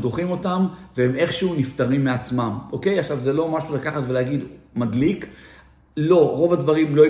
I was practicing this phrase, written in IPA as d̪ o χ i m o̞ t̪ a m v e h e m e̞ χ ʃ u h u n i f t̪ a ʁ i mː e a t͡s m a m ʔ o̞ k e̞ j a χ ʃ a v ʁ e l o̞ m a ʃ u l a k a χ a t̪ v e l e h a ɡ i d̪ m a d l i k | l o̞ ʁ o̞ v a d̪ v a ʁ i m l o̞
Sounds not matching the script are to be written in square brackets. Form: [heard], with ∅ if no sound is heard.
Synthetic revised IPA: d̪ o χ i m o̞ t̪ a m v e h e m e̞ χ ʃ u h u n i f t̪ a ʁ i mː e a t͡s m a m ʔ o̞ k e̞ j a χ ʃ a v [z] e l o̞ m a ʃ u l a k a χ a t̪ v e l e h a ɡ i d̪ m a d l i k | l o̞ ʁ o̞ v a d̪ v a ʁ i m l o̞